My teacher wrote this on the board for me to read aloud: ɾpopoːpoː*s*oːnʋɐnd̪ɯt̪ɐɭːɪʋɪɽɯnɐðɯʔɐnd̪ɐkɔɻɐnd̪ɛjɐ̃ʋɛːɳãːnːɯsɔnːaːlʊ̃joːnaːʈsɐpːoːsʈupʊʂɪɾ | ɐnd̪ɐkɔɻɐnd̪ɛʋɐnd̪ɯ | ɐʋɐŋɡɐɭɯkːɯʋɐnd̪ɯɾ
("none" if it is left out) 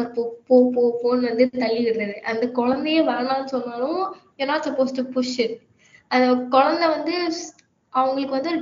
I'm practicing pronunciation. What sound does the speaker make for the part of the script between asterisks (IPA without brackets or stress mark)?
f